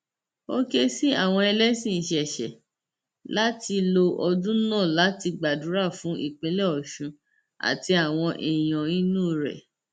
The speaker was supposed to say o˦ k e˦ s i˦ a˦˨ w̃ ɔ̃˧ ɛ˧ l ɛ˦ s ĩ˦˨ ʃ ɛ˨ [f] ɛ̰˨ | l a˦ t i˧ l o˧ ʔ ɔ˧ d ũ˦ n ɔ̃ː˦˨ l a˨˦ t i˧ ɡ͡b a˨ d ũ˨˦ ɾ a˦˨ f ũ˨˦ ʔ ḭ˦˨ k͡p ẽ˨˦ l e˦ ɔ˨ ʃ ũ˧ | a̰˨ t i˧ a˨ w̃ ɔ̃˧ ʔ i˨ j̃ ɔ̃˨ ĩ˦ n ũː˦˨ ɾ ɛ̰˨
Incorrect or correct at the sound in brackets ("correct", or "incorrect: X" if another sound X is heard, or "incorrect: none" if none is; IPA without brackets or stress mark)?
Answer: incorrect: ʃ